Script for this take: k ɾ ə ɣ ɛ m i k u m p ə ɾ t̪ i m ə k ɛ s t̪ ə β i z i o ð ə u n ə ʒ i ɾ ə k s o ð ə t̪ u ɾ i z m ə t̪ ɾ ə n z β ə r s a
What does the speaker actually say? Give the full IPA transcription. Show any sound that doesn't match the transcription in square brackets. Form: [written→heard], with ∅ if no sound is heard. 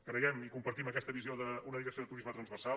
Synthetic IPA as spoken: k ɾ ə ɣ ɛ m i k u m p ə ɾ t̪ i m ə k ɛ s t̪ ə β i z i o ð ə u n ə [ʒ→ð] i ɾ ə k s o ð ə t̪ u ɾ i z m ə t̪ ɾ ə n z β ə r s a